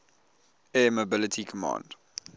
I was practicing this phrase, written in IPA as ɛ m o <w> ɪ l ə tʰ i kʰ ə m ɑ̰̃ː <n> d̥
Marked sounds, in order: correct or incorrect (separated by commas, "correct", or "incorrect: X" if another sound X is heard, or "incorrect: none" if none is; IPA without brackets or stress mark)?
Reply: incorrect: b, correct